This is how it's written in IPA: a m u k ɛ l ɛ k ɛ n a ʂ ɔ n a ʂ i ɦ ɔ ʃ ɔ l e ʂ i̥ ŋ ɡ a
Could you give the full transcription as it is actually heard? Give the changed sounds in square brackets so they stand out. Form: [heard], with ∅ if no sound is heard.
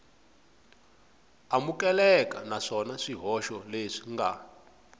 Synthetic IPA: a m u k ɛ l ɛ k [a] n a ʂ ɔ n a ʂ i ɦ ɔ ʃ ɔ l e ʂ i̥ ŋ ɡ a